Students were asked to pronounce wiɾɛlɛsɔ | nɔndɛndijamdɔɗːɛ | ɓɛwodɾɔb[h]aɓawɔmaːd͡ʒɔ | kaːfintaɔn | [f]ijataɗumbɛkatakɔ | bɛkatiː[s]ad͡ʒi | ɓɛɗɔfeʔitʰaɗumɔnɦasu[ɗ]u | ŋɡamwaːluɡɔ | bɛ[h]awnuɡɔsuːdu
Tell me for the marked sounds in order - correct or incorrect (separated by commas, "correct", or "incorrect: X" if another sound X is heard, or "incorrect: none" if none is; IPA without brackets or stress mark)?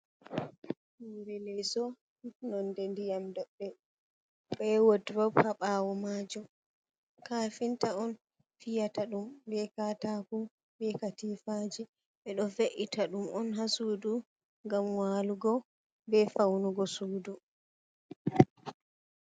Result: correct, correct, incorrect: f, incorrect: d, incorrect: f